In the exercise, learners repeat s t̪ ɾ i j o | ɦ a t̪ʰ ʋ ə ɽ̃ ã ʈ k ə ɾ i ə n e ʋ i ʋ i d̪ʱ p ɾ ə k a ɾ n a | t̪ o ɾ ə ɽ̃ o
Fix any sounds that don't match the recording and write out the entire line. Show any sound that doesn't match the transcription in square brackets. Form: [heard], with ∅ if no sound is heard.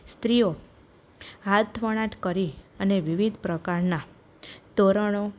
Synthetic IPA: s t̪ ɾ i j o | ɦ a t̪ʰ ʋ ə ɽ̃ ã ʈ k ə ɾ i ə n e ʋ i ʋ i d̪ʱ p ɾ ə k a ɾ n a | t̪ o ɾ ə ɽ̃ o

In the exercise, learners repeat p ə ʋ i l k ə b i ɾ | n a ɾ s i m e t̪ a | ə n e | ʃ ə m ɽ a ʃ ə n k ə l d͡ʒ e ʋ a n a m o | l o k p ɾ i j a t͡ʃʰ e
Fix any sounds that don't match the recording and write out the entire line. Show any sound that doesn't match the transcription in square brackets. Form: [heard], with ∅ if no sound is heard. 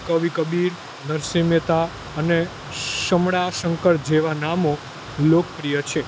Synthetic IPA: [k] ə ʋ i [∅] k ə b i ɾ | n [ə] ɾ s i m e t̪ a | ə n e | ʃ ə m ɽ a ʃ ə [ŋ] k ə [ɾ] d͡ʒ e ʋ a n a m o | l o k p ɾ i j [ə] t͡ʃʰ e

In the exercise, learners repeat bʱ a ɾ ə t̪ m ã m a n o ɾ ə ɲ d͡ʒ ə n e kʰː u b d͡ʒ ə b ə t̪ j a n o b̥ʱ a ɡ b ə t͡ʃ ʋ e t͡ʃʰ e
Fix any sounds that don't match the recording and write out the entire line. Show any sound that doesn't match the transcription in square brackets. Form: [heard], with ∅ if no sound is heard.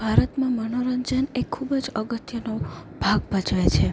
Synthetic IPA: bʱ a ɾ ə t̪ m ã m [ə] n o ɾ ə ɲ d͡ʒ ə n e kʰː u b d͡ʒ ə [ɡ] ə t̪ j [ə] n o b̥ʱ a ɡ b ə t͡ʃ ʋ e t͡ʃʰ e

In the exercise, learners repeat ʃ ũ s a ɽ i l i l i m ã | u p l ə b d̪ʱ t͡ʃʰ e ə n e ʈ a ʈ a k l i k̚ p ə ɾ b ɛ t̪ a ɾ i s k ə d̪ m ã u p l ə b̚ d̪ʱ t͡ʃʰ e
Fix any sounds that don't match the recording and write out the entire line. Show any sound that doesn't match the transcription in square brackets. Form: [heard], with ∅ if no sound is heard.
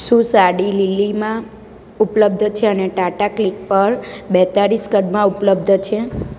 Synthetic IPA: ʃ ũ s a ɽ i l i l i m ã | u p l ə b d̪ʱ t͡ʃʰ e ə n e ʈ a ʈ a k l i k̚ p ə ɾ b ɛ t̪ a ɾ i s k ə d̪ m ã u p l ə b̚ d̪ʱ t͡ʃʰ e

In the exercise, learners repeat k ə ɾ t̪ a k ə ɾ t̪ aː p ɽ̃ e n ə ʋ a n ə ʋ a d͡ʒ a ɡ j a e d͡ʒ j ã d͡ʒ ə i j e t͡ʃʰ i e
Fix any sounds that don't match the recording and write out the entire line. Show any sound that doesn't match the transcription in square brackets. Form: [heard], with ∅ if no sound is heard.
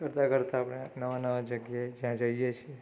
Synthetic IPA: k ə ɾ t̪ a k ə ɾ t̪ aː p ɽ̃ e n ə ʋ a n ə ʋ a d͡ʒ [ə] ɡ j a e d͡ʒ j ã d͡ʒ ə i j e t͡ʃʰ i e

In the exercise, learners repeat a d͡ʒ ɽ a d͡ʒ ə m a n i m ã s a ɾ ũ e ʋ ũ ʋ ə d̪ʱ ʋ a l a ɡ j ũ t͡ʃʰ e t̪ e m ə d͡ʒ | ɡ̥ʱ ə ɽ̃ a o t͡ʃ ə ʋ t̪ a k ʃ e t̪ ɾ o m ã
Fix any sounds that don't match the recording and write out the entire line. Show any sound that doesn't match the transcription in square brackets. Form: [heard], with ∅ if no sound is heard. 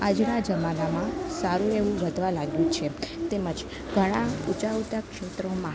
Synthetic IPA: a d͡ʒ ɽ a d͡ʒ ə m a n [a] m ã s a ɾ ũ e ʋ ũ ʋ ə d̪ʱ ʋ a l a ɡ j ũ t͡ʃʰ e t̪ e m ə d͡ʒ | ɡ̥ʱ ə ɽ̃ a [u] t͡ʃ [a] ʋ t̪ a k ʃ e t̪ ɾ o m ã

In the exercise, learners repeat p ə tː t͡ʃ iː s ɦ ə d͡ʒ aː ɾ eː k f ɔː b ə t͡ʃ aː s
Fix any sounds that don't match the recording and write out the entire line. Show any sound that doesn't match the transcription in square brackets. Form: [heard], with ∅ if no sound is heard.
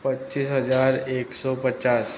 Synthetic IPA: p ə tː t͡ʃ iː s ɦ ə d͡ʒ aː ɾ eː k [s] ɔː [p] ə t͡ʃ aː s

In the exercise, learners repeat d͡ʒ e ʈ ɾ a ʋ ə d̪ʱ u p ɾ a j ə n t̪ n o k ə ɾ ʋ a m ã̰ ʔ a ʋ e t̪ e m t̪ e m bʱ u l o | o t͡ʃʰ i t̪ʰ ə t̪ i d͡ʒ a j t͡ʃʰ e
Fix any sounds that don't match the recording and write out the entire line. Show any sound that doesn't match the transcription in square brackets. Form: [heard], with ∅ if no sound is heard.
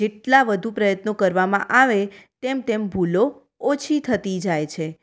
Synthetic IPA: d͡ʒ e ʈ [l] a ʋ ə d̪ʱ u p ɾ [ə] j ə [∅] t̪ n o k ə ɾ ʋ a m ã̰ ʔ a ʋ e t̪ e m t̪ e m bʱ u l o | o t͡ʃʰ i t̪ʰ ə t̪ i d͡ʒ a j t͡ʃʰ e

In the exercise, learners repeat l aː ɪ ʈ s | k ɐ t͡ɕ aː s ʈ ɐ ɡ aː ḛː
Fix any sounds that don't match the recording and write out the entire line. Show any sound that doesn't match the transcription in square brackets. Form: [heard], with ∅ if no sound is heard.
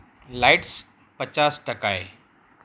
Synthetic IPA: l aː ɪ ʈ s | [p] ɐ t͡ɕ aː s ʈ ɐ [k] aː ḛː

